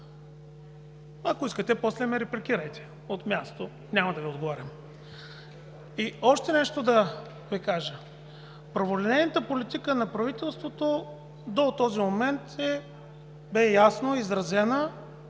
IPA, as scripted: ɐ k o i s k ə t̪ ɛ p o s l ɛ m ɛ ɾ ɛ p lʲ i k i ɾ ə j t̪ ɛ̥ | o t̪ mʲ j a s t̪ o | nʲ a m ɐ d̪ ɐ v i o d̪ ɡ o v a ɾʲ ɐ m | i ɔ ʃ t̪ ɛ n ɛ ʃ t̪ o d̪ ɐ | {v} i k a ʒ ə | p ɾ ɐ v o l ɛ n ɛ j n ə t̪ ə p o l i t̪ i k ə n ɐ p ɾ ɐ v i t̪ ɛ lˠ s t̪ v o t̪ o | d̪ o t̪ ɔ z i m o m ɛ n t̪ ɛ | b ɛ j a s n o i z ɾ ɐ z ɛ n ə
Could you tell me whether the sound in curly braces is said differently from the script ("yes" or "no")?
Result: no